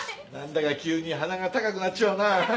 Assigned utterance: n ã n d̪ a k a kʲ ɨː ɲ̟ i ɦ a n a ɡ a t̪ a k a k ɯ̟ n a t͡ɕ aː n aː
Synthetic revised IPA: n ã n d̪ a k a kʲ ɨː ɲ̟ i ɦ a n a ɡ a t̪ a k a k ɯ̟ n a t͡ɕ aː n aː